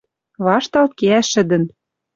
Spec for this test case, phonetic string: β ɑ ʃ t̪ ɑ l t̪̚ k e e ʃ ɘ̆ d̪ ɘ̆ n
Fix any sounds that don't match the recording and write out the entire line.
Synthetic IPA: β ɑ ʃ t̪ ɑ l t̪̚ k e æ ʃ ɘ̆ d̪ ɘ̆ n